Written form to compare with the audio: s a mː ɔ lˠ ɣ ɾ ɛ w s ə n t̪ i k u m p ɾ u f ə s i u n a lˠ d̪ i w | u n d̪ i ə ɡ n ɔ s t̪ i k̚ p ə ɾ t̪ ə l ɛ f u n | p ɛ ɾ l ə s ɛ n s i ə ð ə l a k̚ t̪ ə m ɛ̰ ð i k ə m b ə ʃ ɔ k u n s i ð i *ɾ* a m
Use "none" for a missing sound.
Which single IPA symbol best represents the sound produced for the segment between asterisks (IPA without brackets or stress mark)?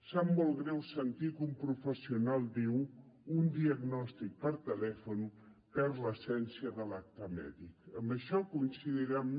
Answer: ɾ